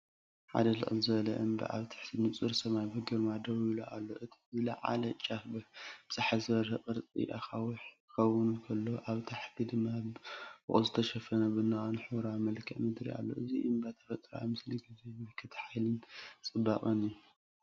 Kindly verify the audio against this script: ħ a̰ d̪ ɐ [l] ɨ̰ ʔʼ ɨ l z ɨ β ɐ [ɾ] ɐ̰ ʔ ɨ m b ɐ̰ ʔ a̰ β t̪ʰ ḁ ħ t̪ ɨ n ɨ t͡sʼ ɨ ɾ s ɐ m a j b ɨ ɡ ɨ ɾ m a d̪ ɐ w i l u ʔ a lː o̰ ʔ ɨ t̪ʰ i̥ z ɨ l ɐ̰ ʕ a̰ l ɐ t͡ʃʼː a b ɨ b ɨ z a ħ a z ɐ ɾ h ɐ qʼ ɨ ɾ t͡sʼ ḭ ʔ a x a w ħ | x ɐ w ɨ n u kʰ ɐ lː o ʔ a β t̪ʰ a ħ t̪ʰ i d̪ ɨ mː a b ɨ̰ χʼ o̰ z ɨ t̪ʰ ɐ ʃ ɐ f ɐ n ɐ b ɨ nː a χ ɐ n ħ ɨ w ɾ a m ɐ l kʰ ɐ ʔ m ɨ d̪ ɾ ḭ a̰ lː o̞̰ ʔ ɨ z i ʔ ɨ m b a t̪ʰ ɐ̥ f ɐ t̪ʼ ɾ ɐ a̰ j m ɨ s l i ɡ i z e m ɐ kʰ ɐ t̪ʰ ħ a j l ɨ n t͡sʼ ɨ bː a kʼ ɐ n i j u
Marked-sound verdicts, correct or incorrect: correct, incorrect

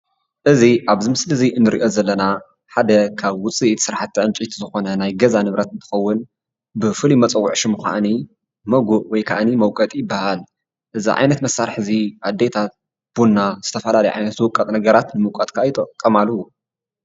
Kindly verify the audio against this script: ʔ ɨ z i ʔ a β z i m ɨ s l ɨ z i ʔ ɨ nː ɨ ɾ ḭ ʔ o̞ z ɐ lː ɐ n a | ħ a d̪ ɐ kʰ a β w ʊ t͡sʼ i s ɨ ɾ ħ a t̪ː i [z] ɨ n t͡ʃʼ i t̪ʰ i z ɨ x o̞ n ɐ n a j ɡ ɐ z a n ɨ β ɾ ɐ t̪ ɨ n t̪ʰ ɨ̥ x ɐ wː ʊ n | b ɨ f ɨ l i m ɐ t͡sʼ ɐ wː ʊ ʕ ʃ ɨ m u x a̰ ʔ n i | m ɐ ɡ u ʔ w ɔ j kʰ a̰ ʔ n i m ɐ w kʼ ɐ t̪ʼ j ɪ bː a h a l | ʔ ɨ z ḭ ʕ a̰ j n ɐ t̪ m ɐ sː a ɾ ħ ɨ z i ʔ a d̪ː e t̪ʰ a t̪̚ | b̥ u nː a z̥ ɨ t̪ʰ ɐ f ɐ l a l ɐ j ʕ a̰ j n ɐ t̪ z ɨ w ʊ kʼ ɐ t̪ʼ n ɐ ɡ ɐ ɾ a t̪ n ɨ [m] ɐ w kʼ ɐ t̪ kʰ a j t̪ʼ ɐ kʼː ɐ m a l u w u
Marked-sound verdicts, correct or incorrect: incorrect, correct

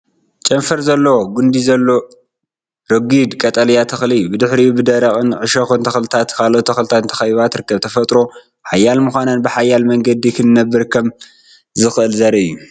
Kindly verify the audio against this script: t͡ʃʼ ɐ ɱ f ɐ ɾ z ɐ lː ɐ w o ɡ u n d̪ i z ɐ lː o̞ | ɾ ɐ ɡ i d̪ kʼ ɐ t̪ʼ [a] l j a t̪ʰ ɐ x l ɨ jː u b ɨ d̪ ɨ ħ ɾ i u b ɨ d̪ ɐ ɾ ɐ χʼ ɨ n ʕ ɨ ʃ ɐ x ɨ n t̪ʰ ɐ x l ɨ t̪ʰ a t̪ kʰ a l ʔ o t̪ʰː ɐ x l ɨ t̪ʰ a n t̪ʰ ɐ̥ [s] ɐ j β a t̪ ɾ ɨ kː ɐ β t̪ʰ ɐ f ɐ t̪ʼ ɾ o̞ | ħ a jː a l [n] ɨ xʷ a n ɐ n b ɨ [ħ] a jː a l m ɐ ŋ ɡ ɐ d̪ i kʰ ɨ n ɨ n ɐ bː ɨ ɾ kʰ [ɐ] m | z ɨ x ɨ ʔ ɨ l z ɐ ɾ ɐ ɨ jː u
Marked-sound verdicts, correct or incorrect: incorrect, incorrect, incorrect, correct, correct

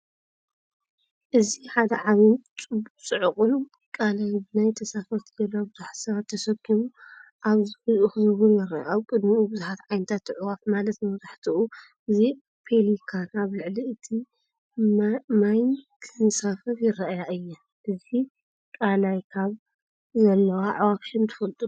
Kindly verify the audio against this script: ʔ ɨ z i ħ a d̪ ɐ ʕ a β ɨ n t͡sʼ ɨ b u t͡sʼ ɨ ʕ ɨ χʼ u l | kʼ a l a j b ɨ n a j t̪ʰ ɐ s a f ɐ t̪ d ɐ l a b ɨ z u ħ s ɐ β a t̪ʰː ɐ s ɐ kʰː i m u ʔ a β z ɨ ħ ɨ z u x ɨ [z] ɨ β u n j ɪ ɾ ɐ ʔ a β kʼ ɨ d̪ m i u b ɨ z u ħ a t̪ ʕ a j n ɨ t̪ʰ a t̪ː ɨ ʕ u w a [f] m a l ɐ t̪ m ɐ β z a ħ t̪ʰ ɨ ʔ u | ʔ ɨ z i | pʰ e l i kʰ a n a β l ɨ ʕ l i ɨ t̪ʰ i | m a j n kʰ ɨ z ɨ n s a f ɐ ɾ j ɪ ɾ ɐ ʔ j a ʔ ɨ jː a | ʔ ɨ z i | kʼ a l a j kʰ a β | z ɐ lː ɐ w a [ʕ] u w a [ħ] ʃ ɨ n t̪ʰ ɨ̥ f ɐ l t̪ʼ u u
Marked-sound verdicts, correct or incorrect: correct, correct, correct, incorrect

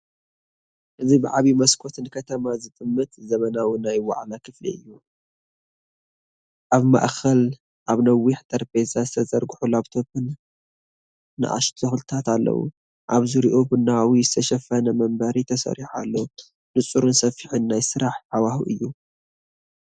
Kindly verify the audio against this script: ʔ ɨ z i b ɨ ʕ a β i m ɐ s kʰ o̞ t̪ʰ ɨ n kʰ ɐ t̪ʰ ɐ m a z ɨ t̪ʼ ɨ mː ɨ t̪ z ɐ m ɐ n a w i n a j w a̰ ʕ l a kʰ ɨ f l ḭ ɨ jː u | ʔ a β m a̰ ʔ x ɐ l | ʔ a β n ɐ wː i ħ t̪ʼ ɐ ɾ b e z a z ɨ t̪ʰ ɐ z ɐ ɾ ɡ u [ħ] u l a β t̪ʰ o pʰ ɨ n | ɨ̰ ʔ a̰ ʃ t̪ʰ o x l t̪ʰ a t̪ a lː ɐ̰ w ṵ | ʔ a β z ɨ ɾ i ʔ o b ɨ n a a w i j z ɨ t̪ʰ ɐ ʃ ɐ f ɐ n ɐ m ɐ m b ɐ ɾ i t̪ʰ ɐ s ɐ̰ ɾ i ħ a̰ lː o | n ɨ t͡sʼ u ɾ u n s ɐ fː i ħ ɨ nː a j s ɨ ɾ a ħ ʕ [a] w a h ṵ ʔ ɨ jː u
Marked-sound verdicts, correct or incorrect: correct, correct

